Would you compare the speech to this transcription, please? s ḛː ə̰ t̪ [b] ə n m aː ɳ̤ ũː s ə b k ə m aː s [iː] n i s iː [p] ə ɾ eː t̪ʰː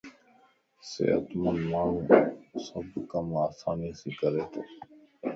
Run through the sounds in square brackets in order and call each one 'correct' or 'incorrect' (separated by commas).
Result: incorrect, incorrect, incorrect